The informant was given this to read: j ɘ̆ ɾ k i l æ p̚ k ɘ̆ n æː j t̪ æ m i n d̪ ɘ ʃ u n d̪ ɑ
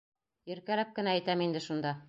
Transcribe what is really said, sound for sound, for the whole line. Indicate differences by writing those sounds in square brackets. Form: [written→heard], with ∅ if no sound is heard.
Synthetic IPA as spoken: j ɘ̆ ɾ k [i→æ] l æ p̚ k ɘ̆ n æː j t̪ æ m i n d̪ ɘ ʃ u n d̪ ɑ